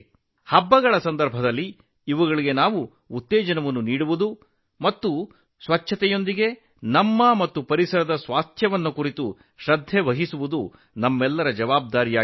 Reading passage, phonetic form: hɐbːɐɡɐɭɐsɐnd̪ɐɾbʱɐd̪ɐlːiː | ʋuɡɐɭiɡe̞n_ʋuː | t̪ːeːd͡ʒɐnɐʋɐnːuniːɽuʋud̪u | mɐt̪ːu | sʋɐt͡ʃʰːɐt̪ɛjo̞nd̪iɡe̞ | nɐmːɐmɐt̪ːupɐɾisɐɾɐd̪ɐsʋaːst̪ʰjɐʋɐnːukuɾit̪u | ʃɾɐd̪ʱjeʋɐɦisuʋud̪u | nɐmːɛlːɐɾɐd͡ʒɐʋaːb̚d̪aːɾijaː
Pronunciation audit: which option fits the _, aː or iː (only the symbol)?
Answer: aː